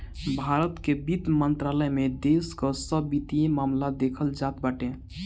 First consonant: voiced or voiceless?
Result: voiced